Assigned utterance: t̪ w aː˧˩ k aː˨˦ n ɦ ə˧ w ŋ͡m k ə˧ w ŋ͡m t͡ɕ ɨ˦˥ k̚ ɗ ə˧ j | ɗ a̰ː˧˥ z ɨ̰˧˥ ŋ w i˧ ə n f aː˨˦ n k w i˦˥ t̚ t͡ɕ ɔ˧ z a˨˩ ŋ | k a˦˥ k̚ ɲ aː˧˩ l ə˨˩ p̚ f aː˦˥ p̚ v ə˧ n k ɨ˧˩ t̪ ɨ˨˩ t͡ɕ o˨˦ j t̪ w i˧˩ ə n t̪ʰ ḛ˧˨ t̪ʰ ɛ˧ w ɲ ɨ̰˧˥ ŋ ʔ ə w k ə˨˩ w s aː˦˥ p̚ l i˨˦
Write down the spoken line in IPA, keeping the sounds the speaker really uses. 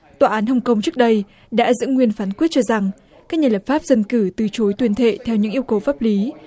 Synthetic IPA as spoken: t̪ w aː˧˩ ʔ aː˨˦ n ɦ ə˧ w ŋ͡m k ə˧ w ŋ͡m t͡ɕ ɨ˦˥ k̚ ɗ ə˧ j | ɗ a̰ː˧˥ z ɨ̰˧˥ ŋ w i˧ ə n f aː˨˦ n k w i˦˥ t̚ t͡ɕ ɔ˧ z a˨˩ ŋ | k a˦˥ k̚ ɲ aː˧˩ l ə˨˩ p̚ f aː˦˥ p̚ z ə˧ n k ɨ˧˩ t̪ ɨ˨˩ t͡ɕ o˨˦ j t̪ w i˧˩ ə n t̪ʰ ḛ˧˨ t̪ʰ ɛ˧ w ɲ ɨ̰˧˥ ŋ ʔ ə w k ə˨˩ w f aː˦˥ p̚ l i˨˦